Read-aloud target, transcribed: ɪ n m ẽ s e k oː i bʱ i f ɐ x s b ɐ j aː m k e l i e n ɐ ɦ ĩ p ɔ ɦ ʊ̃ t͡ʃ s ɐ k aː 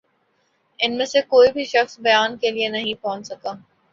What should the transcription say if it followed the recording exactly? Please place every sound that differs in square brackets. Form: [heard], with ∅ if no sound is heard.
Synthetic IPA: ɪ n m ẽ s e k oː i bʱ i [ʃ] ɐ x s b ɐ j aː [n] k e l i e n ɐ ɦ ĩ p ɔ ɦ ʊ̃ t͡ʃ s ɐ k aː